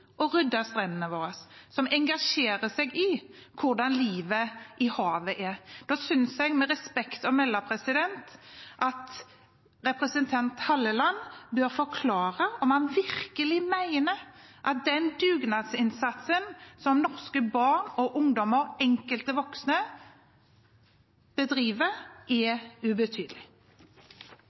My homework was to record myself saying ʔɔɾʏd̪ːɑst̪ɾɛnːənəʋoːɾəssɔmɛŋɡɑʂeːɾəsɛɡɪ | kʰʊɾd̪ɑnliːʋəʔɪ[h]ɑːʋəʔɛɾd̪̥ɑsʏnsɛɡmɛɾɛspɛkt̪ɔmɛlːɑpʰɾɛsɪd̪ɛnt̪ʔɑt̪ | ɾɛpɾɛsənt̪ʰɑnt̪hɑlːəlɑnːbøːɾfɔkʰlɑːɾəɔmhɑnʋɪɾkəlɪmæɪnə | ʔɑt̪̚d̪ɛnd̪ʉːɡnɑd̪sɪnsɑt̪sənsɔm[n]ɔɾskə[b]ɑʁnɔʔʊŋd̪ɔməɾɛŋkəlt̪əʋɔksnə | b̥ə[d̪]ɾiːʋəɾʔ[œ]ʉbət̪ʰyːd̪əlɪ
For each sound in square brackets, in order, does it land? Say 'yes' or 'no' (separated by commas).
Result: yes, yes, yes, yes, no